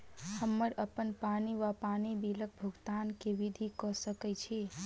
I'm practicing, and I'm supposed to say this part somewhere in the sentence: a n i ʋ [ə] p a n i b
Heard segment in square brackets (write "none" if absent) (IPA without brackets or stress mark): a